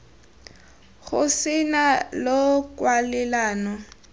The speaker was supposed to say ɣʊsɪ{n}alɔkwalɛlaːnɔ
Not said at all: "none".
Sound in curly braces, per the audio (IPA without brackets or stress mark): n